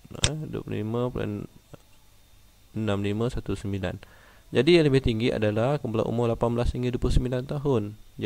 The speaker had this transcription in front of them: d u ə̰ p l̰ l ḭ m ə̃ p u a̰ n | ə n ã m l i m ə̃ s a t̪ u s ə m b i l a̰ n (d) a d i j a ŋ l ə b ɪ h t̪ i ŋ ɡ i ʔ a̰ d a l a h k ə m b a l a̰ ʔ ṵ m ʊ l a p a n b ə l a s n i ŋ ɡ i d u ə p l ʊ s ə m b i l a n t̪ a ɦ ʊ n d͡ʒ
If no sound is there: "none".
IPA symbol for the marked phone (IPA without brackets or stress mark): d͡ʒ